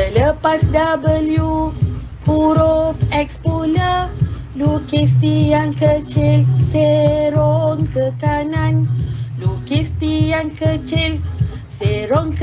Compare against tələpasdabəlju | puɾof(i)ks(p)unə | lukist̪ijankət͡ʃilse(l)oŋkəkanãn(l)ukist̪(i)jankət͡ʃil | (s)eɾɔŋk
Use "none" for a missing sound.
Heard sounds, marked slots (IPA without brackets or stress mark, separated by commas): ɛ, p, ɾ, l, i, s